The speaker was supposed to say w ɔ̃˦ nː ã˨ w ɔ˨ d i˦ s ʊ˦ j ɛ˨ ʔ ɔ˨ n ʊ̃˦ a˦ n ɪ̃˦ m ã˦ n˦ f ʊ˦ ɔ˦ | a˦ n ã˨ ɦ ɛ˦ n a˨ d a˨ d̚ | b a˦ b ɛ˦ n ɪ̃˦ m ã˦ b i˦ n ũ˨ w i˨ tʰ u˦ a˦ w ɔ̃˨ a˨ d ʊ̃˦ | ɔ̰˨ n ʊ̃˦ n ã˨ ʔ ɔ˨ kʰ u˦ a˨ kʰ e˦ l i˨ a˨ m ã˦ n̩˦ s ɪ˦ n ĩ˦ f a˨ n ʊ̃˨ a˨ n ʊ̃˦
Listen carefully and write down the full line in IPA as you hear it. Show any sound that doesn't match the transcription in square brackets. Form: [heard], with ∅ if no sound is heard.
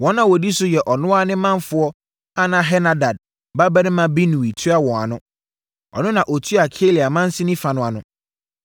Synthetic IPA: w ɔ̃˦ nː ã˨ w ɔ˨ d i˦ s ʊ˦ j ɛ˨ ʔ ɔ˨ n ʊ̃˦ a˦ n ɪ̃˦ m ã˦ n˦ f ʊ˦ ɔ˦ | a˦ n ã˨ ɦ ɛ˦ n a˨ d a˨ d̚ | b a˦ b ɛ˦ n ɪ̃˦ m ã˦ b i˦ n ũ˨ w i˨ tʰ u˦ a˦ w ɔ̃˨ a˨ [n] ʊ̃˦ | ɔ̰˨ n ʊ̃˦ n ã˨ ʔ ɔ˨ [tʰ] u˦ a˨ kʰ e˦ l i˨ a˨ m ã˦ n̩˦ s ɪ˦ n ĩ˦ f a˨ n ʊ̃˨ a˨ n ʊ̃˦